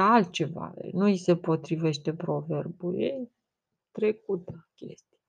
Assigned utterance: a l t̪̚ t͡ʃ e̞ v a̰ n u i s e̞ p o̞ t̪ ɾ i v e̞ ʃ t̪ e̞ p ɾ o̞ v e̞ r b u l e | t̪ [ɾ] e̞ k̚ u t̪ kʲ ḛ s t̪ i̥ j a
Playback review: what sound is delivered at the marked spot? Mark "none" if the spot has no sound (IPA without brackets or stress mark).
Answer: ɾ